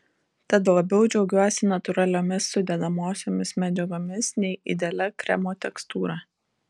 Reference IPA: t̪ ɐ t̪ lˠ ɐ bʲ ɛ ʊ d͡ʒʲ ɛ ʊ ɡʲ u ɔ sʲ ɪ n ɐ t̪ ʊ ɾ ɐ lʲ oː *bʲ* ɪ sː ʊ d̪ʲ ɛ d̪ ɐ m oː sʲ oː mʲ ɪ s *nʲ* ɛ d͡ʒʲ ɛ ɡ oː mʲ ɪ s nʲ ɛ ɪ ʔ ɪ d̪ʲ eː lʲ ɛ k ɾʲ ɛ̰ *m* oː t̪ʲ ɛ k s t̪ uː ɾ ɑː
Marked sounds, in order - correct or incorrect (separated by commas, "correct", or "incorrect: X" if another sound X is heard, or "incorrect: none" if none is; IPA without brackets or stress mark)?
incorrect: mʲ, incorrect: mʲ, correct